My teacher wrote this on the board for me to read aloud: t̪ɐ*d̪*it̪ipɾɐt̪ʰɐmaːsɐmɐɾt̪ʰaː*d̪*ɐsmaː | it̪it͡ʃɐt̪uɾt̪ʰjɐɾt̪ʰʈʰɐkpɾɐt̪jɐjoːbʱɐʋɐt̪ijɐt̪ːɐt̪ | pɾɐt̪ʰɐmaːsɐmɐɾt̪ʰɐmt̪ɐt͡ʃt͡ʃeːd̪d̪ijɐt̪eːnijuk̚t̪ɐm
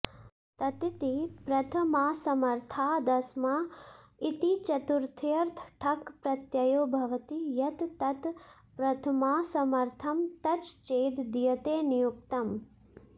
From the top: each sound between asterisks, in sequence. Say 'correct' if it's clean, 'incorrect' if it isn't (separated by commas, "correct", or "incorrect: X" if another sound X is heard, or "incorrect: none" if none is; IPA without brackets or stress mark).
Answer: incorrect: t̪, correct